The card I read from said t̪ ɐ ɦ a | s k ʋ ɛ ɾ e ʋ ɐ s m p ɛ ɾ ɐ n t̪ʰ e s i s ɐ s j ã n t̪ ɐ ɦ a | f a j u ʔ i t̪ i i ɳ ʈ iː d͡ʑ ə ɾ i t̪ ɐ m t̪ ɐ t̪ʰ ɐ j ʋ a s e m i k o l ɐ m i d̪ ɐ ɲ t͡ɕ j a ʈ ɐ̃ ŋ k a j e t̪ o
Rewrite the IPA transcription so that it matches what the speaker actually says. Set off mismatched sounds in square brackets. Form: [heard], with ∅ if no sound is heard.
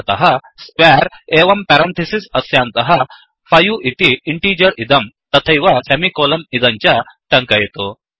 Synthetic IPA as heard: t̪ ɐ ɦ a | s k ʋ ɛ ɾ e ʋ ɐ [∅] m p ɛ ɾ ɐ n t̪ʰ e s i s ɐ s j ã n t̪ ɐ ɦ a | f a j u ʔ i t̪ i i ɳ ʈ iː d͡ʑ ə ɾ i [d̪] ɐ m t̪ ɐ t̪ʰ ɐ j ʋ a s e m i k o l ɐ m i d̪ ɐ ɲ t͡ɕ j a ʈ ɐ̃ ŋ k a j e t̪ o